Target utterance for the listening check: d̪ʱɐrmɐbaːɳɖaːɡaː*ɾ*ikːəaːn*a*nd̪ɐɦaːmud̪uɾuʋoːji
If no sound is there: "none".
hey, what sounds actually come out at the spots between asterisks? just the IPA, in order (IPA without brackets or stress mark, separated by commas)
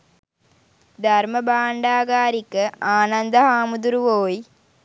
ɾ, ɐ